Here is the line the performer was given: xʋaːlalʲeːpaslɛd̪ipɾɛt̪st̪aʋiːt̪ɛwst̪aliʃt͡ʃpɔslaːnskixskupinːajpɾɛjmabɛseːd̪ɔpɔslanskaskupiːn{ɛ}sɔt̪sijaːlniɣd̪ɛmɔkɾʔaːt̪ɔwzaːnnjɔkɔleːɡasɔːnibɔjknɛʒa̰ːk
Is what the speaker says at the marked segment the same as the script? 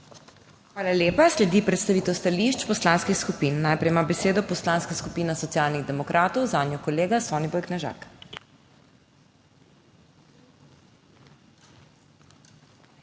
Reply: no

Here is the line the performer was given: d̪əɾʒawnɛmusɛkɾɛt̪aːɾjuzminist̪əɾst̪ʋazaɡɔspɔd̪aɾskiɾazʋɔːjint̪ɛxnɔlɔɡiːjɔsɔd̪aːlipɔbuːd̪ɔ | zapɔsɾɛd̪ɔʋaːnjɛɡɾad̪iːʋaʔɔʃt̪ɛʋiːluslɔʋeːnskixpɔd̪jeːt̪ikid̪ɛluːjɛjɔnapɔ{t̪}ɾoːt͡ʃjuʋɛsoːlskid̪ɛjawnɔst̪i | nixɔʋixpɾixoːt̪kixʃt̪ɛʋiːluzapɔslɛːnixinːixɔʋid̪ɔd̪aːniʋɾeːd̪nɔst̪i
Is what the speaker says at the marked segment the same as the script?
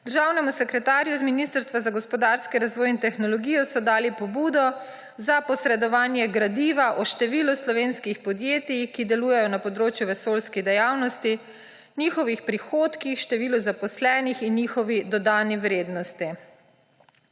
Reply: no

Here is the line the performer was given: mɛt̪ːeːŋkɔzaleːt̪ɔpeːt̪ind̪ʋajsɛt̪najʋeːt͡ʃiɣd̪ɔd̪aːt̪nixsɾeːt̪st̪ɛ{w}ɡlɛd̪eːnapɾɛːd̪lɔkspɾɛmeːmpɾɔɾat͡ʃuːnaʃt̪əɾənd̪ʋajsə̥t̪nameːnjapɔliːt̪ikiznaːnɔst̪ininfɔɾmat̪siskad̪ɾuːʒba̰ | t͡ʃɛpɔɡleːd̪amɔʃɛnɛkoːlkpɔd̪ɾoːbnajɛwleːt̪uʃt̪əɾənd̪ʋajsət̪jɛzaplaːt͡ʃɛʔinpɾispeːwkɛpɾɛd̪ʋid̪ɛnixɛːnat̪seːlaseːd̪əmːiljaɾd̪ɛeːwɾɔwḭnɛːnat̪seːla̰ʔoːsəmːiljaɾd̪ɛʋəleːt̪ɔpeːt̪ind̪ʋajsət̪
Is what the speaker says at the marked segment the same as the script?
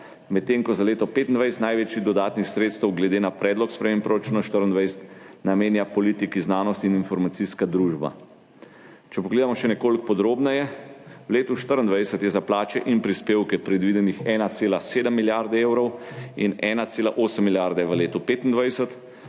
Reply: yes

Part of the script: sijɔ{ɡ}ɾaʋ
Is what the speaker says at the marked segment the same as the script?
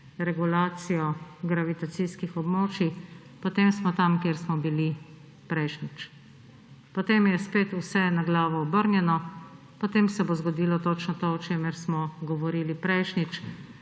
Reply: yes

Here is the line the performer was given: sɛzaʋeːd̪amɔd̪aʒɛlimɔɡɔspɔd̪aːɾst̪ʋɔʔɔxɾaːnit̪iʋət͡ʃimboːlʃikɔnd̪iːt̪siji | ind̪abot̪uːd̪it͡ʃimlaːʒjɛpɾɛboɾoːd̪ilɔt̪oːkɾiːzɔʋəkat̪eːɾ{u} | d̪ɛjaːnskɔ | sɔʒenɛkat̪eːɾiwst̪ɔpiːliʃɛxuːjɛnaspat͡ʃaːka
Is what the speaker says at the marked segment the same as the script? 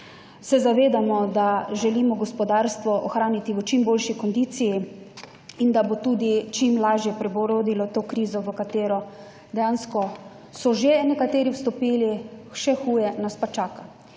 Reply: no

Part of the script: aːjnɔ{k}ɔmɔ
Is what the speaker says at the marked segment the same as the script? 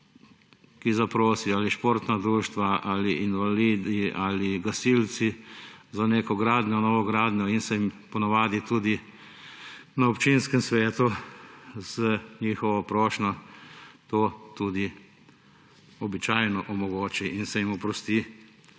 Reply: no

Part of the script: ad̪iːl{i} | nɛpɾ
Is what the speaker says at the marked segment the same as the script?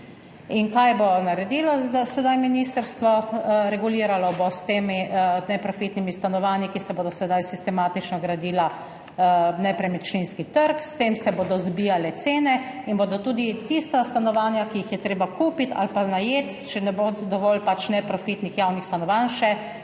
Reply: no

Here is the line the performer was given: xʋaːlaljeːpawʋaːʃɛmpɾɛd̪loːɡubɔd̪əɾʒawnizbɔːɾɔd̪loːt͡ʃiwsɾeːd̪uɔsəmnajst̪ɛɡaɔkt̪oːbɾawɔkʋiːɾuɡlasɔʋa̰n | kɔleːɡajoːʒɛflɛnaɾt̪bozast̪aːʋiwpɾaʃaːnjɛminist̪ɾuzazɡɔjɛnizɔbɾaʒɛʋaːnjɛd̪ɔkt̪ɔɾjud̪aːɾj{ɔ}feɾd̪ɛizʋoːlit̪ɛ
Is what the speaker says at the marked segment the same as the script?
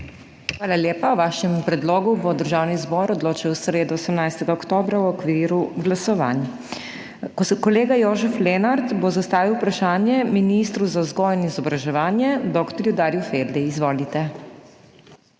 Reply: no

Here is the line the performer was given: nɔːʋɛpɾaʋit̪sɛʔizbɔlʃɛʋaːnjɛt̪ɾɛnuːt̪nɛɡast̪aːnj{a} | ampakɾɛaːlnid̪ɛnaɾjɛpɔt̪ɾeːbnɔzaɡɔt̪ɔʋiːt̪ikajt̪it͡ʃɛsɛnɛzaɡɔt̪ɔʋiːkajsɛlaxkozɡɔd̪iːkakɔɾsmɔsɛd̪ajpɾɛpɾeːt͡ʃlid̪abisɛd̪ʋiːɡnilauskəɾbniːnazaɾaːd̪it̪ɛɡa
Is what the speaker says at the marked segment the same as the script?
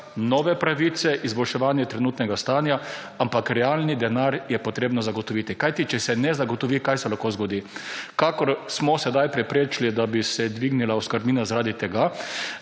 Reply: yes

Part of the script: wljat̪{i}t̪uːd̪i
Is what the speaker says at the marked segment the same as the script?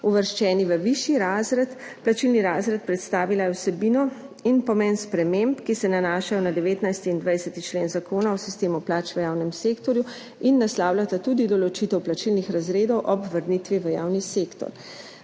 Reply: no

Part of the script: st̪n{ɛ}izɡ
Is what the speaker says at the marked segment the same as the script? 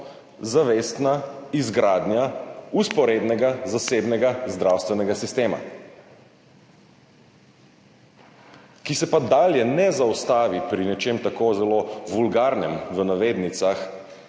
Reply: no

